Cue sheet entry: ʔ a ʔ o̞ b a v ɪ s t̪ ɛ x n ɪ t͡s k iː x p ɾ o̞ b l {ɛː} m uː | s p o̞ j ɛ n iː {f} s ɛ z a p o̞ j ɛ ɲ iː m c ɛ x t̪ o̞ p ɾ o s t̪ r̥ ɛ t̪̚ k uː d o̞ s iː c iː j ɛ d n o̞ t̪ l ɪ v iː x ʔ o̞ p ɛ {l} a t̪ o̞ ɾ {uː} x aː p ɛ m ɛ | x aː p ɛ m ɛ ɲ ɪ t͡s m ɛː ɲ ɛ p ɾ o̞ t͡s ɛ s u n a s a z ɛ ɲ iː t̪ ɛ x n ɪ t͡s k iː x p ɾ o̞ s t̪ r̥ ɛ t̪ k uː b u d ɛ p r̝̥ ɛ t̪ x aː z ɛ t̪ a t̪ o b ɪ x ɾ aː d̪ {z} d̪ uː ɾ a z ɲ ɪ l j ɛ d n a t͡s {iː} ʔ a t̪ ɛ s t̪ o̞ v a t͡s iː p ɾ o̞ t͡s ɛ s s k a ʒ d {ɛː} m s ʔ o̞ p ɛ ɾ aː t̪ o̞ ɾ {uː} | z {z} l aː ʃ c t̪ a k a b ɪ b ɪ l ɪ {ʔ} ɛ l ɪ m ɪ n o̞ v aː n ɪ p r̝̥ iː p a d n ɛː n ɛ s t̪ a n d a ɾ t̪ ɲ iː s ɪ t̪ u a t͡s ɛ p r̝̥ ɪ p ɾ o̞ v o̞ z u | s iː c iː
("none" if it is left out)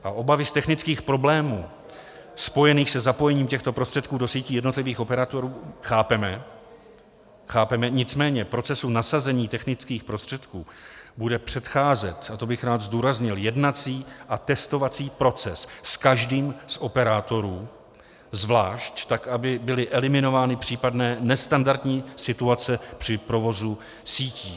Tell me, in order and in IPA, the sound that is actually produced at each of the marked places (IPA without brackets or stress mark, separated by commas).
ɛː, x, ɾ, uː, z, iː, iː, uː, v, ʔ